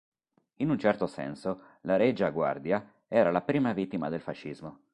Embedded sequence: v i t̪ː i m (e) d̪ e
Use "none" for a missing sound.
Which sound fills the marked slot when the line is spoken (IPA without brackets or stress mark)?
a